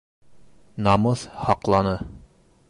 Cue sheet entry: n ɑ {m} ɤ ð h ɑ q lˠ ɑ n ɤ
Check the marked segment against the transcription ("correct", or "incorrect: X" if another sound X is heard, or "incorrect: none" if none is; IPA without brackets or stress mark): correct